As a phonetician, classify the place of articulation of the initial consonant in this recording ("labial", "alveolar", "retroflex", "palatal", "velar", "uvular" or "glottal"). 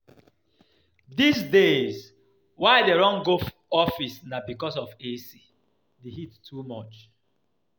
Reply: alveolar